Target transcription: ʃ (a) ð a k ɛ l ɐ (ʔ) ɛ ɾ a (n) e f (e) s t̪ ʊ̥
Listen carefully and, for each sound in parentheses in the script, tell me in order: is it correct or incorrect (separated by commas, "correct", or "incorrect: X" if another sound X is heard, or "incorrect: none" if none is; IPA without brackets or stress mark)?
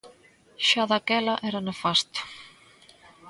correct, correct, correct, incorrect: a